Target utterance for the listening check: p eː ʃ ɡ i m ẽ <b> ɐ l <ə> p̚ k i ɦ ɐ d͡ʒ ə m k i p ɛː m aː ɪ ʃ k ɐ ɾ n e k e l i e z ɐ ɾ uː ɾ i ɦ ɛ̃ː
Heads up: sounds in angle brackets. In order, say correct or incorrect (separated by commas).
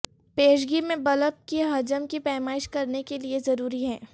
correct, correct